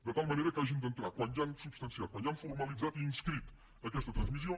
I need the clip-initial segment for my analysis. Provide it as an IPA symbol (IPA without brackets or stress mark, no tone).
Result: d̪